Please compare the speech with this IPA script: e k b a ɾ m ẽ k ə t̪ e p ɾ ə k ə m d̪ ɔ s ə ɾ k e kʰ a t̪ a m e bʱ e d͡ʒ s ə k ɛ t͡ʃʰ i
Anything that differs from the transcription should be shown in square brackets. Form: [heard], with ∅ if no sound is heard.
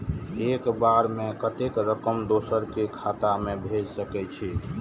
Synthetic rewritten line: e k b a ɾ m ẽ k ə t̪ e [k] ɾ ə k ə m d̪ [o] s ə ɾ k e kʰ a t̪ a m e bʱ e d͡ʒ s ə k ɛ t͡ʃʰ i

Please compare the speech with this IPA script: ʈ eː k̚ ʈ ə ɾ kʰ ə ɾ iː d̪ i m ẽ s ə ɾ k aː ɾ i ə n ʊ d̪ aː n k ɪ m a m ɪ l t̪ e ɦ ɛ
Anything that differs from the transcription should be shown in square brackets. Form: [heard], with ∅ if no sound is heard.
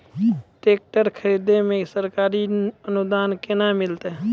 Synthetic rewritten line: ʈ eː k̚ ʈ ə ɾ kʰ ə ɾ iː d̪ [e] m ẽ s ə ɾ k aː ɾ i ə n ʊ d̪ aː n k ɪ [n] a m ɪ l t̪ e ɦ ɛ

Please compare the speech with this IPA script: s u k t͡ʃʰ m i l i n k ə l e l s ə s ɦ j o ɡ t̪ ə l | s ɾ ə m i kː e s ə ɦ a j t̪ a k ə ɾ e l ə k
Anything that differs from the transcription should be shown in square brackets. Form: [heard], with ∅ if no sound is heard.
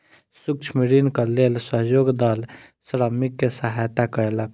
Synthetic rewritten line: s u k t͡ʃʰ m i [ɾ] i n k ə l e l s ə [∅] ɦ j o ɡ [d̪] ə l | s ɾ ə m i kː e s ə ɦ a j t̪ a k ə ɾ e l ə k

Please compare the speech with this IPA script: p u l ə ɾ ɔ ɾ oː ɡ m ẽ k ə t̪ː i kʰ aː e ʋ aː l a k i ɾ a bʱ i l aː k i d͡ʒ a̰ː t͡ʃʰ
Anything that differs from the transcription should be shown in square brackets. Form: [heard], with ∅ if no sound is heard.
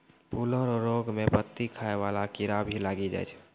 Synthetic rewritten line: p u l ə ɾ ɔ ɾ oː ɡ m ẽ [p] ə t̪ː i kʰ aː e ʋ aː l a k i ɾ a bʱ i l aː [ɡ] i d͡ʒ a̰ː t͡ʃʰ

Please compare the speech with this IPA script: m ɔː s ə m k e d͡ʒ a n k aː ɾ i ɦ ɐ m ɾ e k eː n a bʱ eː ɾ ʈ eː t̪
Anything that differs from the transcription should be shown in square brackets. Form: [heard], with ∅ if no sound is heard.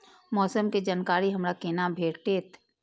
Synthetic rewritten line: m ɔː s ə m k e d͡ʒ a n k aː ɾ i ɦ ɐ m ɾ [a] k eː n a bʱ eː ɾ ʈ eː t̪

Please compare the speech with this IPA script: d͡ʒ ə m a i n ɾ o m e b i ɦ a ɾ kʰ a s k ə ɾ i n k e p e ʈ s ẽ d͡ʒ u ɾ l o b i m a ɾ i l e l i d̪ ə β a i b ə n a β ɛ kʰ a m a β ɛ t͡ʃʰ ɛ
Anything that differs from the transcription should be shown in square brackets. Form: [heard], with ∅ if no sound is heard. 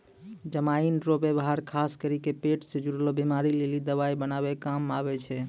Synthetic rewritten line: d͡ʒ ə m a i n ɾ o [b] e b [a] ɦ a ɾ kʰ a s k ə ɾ i [∅] k e p e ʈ s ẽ d͡ʒ u ɾ l o b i m a ɾ i l e l i d̪ ə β a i b ə n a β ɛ [k] a m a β ɛ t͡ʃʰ ɛ

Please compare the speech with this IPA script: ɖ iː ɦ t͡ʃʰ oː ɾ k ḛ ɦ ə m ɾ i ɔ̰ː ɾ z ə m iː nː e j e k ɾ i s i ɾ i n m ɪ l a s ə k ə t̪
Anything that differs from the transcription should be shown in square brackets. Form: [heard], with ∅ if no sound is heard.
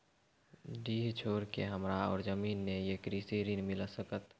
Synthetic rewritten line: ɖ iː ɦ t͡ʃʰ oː ɾ k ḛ ɦ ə m ɾ [a] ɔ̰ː ɾ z ə m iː nː e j e k ɾ i s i ɾ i n m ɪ l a s ə k ə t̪

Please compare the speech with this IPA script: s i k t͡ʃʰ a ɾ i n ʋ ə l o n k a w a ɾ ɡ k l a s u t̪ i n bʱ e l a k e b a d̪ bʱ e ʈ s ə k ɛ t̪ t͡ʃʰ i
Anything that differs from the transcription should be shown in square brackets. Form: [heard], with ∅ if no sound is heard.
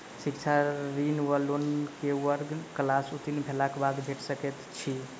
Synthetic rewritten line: s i k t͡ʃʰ a ɾ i n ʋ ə l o n k [e] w [ə] ɾ ɡ k l a s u t̪ i n bʱ e l a k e b a d̪ bʱ e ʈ s ə k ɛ t̪ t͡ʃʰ i

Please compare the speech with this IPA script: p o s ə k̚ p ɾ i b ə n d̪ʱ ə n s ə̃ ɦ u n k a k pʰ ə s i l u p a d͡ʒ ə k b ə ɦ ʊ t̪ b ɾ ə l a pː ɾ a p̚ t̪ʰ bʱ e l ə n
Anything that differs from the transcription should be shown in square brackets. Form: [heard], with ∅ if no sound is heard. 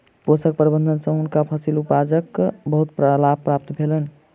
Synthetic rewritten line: p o s ə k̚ p ɾ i b ə n d̪ʱ ə n s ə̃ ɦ u n k a [∅] pʰ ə s i l u p a d͡ʒ ə k b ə ɦ [u] t̪ [p] ɾ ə l a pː ɾ a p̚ [t̪] bʱ e l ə n

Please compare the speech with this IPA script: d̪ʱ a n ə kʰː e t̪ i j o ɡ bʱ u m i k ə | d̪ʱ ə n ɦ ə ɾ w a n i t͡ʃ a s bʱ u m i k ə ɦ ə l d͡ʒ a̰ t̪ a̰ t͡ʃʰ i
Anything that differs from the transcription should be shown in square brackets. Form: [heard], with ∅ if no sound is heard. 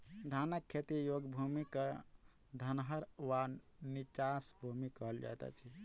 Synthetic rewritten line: d̪ʱ a n ə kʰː e t̪ i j o ɡ bʱ u m i k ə | d̪ʱ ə n ɦ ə ɾ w a n i t͡ʃ a s bʱ u m i k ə ɦ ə l d͡ʒ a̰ t̪ a̰ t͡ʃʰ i

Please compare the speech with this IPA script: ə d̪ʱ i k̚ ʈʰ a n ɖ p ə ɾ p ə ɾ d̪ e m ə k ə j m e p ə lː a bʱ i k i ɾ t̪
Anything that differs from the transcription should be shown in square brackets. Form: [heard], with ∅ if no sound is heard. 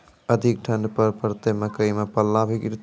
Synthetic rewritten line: ə d̪ʱ i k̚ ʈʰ [ə] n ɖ p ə ɾ p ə ɾ [t̪] e m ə k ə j m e p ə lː a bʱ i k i ɾ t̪

